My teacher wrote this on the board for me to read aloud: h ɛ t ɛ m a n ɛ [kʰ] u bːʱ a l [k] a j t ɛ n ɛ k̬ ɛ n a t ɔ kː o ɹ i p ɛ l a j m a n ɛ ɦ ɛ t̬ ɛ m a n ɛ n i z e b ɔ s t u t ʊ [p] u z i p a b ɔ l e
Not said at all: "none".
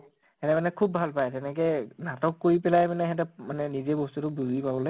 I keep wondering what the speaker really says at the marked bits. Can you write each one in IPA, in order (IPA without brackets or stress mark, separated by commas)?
kʰ, p, b